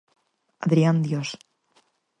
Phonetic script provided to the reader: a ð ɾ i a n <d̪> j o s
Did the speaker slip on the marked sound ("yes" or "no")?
no